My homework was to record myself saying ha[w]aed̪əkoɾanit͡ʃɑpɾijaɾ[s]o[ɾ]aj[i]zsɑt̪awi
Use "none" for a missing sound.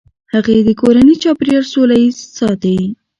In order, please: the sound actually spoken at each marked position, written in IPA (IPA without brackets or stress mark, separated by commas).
ɣ, s, l, i